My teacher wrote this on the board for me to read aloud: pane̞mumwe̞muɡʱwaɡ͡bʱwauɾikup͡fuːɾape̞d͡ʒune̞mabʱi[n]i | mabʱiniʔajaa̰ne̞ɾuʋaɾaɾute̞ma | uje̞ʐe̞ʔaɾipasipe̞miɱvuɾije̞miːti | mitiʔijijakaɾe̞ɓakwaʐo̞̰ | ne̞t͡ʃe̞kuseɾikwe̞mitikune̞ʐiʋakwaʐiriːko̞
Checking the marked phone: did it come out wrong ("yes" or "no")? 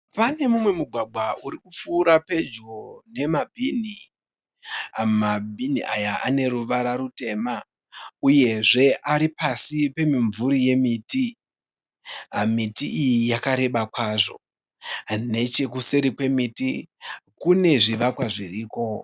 no